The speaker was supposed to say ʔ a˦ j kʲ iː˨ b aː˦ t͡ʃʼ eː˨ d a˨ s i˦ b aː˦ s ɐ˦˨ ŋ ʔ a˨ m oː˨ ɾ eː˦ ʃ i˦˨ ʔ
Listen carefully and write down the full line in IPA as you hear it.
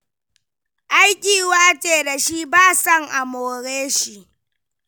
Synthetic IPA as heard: ʔ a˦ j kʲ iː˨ w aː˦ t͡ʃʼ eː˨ d a˨ ʃ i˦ b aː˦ s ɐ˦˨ ŋ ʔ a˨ m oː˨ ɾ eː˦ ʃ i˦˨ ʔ